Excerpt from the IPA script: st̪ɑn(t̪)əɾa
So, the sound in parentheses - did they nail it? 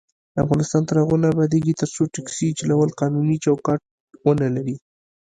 yes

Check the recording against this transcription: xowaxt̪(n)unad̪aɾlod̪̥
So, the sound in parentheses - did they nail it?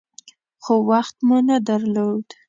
no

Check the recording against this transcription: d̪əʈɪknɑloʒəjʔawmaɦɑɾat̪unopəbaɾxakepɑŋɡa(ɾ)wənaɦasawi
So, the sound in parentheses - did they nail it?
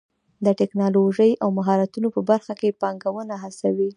no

